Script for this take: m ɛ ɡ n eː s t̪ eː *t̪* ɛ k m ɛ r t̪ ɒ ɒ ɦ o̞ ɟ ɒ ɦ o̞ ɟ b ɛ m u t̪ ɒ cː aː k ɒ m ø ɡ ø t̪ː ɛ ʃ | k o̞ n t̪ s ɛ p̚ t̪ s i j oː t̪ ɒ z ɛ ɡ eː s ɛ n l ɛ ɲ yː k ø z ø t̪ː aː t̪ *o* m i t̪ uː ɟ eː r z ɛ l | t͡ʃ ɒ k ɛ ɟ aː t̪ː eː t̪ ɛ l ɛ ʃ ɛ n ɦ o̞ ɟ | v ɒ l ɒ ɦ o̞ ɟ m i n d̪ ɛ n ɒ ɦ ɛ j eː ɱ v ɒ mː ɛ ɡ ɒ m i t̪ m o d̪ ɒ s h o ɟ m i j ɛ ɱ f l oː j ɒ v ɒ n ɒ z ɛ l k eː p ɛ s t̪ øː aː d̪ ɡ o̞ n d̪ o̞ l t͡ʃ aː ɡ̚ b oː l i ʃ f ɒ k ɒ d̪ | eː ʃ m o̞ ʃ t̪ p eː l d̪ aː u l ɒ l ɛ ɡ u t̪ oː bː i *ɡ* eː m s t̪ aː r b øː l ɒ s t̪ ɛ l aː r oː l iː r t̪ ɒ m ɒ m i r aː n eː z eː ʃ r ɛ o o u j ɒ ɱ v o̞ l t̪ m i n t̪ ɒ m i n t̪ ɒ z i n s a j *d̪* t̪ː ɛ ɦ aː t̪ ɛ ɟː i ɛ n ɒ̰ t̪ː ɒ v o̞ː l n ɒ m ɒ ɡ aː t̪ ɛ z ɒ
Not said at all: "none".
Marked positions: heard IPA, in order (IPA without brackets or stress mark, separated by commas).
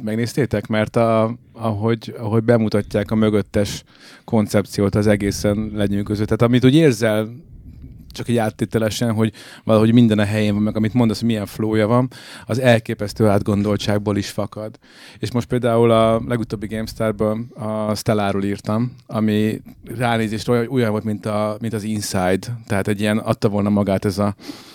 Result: t̪, ɒ, ɡ, d̪